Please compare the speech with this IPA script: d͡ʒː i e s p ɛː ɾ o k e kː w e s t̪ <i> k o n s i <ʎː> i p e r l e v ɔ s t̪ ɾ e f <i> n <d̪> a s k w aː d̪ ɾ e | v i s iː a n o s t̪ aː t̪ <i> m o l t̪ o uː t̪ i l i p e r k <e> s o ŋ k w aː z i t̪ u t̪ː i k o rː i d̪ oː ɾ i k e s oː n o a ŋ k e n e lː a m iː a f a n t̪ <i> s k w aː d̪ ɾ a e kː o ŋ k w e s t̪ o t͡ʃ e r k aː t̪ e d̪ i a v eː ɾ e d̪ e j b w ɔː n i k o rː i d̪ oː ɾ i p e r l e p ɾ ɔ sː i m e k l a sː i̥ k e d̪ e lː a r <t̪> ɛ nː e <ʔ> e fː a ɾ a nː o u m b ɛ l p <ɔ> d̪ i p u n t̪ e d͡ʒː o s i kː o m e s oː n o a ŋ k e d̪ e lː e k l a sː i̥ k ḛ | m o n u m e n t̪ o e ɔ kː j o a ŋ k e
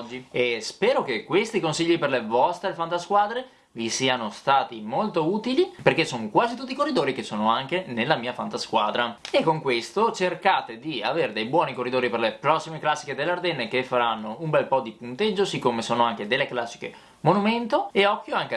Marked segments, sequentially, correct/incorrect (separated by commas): correct, correct, incorrect, incorrect, correct, correct, incorrect, incorrect, incorrect, correct